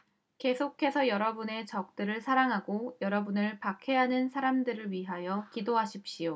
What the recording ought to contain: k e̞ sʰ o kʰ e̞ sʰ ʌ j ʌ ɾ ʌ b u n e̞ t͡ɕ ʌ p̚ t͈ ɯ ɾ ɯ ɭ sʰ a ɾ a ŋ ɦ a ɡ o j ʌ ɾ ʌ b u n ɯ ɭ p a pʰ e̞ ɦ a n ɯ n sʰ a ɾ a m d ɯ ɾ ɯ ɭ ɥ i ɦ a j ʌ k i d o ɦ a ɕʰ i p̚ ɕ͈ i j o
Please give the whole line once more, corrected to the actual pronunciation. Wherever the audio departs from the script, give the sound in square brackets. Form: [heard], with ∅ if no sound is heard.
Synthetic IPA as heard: k e̞ sʰ o kʰ e̞ sʰ ʌ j ʌ ɾ ʌ b u n e̞ t͡ɕ ʌ [k̚] t͈ ɯ ɾ ɯ ɭ sʰ a ɾ a ŋ ɦ a ɡ o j ʌ ɾ ʌ b u n ɯ ɭ p a [kʰ] e̞ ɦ a n ɯ n sʰ a ɾ a m d ɯ ɾ ɯ ɭ ɥ i ɦ a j ʌ k i d o ɦ a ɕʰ i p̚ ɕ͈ i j o